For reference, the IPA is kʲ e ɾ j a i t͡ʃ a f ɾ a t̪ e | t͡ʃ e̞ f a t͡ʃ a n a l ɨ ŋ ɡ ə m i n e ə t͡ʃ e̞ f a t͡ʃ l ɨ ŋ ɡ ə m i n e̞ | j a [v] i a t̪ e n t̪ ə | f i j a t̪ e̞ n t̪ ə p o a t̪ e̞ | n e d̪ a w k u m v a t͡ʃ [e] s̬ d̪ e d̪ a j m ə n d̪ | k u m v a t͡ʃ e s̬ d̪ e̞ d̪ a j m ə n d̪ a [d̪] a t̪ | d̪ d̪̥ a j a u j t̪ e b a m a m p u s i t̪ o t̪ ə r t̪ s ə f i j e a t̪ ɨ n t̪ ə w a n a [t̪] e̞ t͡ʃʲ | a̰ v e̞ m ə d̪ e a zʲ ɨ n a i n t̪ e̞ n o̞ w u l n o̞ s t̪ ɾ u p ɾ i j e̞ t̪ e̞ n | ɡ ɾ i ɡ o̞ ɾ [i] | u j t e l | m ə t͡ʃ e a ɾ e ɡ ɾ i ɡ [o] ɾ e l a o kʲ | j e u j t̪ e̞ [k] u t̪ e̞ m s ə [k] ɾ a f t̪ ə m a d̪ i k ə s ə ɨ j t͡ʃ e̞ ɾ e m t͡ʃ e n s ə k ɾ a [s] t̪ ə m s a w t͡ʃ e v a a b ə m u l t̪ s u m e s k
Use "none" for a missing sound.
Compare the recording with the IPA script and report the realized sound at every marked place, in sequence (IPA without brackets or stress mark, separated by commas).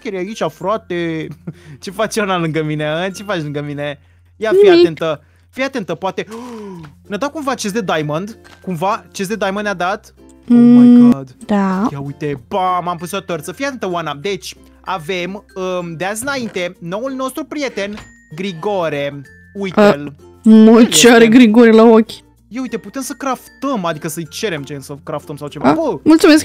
f, e, d̪, d̪, e, o, p, k, f